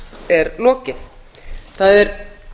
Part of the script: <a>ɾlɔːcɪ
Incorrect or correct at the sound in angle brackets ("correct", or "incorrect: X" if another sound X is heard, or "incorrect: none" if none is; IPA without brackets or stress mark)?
incorrect: ɛ